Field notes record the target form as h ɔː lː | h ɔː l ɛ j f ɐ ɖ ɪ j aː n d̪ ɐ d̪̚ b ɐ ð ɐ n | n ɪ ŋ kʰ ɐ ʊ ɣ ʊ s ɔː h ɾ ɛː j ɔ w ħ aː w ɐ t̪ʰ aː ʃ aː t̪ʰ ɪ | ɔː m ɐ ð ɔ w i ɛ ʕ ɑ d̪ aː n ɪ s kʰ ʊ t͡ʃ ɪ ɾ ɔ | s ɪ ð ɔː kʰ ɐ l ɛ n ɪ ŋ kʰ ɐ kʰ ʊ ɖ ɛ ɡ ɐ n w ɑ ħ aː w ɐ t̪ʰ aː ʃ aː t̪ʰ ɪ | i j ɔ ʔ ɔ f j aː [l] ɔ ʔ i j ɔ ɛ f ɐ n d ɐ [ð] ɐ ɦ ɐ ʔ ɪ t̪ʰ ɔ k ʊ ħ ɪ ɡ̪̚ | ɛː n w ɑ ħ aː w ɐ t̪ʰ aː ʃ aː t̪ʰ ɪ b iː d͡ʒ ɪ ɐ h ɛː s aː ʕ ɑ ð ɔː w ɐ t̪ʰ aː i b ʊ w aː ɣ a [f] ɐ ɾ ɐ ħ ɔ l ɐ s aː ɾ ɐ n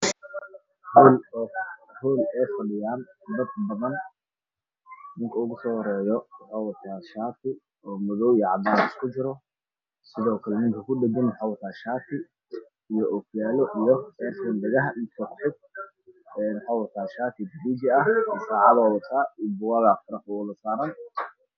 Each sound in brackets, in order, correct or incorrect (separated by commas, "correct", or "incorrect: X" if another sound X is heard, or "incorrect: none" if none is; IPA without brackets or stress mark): correct, incorrect: ɣ, correct